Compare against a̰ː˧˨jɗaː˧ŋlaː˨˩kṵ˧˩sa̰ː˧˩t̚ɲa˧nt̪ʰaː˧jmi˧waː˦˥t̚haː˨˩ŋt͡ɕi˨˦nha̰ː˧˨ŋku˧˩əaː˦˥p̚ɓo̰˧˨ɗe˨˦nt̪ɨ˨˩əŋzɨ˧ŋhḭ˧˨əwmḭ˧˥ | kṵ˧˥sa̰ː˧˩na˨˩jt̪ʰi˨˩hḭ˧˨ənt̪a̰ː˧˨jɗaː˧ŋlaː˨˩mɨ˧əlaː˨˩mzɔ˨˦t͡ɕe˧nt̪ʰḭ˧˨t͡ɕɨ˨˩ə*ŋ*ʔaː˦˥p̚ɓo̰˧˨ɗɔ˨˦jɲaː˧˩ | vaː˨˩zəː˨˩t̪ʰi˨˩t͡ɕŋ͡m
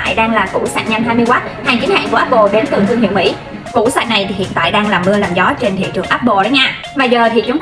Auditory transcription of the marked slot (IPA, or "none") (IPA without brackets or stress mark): ŋ